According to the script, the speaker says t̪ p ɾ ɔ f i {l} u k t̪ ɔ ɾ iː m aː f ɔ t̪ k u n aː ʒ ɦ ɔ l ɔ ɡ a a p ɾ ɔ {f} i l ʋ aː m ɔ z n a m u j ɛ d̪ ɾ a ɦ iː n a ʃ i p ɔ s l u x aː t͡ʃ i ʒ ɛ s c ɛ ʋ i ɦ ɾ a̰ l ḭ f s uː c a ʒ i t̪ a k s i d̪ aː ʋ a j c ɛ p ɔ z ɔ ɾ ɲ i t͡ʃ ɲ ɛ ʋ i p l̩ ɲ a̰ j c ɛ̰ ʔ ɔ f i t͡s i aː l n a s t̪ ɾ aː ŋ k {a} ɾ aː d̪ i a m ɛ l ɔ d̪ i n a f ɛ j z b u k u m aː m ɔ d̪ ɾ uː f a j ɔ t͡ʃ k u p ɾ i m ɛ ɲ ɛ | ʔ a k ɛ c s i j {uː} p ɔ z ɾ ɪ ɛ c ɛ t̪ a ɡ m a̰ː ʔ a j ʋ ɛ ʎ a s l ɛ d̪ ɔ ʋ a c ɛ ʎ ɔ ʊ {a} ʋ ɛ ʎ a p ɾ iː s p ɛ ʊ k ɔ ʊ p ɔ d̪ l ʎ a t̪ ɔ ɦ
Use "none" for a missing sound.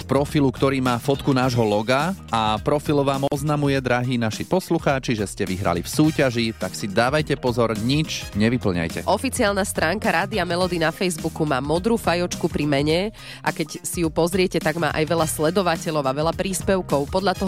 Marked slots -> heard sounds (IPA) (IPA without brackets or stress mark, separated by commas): l, f, a, u, a